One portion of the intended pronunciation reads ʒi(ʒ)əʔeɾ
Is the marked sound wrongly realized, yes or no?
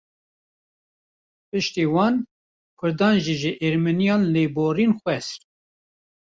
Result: no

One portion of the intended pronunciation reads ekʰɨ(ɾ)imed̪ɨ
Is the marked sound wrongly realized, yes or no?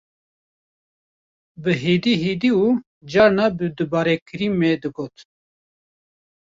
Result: no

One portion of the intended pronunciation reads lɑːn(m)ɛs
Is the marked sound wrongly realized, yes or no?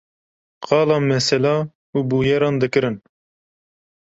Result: no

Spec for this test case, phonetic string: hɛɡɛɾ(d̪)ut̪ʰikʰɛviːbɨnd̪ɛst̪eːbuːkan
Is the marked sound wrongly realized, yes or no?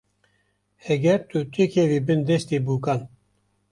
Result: yes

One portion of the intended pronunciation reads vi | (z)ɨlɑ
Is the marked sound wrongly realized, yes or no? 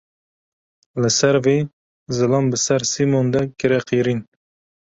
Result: no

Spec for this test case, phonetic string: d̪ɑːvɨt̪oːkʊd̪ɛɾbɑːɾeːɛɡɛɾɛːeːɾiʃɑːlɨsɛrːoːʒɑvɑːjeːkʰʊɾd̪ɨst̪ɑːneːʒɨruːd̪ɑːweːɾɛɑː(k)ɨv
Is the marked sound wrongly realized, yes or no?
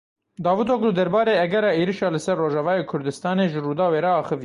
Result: yes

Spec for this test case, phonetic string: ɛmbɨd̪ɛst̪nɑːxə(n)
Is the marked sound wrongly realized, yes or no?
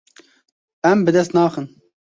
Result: no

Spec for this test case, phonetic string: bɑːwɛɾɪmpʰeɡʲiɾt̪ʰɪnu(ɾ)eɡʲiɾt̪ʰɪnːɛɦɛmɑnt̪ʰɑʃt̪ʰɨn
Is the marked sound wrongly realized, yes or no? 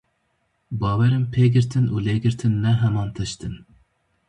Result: yes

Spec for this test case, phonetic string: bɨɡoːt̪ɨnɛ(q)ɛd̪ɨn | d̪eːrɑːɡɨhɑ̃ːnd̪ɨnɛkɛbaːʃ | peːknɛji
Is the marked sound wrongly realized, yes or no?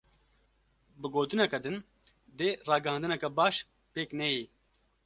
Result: yes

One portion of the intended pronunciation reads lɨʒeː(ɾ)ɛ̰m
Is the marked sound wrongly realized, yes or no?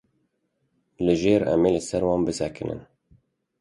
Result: no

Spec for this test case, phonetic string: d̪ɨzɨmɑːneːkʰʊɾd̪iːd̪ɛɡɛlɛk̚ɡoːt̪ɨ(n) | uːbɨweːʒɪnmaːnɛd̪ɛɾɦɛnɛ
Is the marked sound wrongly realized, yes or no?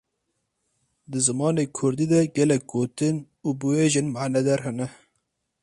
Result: no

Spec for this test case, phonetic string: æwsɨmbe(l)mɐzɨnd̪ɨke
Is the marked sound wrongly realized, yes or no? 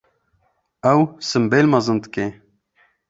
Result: no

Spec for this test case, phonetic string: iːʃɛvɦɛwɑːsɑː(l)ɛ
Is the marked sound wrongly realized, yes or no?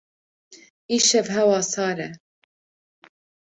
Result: yes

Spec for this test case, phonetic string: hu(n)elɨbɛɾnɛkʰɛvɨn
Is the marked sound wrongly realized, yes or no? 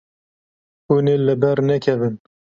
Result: no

